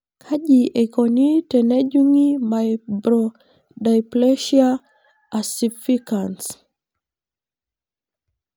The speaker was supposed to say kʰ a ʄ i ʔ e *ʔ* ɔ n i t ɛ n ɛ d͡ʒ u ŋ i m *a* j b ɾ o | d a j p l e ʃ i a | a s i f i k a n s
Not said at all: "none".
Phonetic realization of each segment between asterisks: k, a

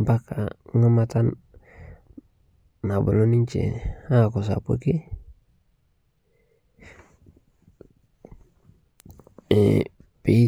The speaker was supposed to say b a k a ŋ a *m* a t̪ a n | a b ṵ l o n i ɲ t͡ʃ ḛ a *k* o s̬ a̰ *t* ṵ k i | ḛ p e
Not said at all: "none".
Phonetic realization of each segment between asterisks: m, k, p

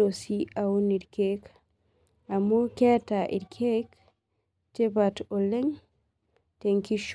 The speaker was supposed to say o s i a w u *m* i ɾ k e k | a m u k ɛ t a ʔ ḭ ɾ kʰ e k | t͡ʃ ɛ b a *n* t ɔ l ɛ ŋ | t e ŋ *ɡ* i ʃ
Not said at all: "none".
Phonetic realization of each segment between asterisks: n, none, k

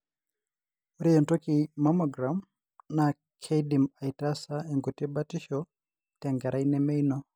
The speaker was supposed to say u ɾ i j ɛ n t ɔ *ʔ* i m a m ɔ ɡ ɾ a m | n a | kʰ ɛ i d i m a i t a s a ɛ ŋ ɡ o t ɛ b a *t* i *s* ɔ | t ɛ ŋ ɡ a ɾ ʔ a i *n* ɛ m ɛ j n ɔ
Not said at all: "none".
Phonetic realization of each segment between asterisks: k, t, ʃ, n

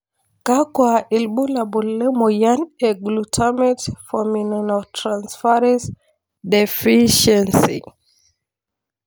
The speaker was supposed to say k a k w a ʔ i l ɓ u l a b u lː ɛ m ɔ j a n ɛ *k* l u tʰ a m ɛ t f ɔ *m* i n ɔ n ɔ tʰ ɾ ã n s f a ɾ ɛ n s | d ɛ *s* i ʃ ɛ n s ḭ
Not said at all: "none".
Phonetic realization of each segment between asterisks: ɡ, m, f

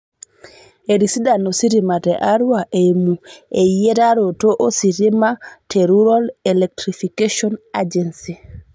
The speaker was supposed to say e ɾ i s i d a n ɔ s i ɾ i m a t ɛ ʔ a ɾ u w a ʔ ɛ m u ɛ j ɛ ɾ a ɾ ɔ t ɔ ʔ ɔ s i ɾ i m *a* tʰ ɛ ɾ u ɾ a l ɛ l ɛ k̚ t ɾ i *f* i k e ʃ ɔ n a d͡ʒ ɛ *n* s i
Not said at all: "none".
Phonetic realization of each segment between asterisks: a, f, n

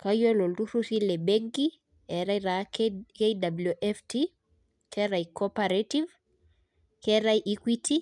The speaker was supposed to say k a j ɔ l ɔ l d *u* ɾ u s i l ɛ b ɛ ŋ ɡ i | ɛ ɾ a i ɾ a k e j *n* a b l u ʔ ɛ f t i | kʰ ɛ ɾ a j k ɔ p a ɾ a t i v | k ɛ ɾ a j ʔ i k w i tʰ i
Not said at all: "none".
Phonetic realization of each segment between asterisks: u, d

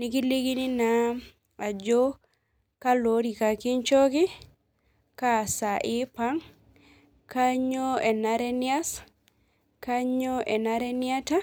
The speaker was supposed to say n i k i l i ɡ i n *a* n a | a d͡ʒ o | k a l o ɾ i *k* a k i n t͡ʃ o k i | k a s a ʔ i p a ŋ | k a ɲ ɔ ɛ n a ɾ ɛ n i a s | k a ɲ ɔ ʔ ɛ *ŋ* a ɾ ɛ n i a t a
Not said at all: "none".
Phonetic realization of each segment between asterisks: i, k, n

